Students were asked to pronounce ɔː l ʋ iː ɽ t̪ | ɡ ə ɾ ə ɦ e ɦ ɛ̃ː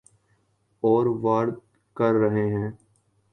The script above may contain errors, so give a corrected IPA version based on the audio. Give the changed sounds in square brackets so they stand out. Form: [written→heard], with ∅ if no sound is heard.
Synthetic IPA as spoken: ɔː [l→ɾ] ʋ [iː→aː] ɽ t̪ | [ɡ→k] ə [ɾ→ɾː] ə ɦ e ɦ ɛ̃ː